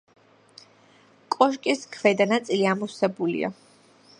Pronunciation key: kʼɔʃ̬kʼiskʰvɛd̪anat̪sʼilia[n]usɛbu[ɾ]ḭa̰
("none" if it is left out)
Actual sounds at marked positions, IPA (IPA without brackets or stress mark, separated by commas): m, l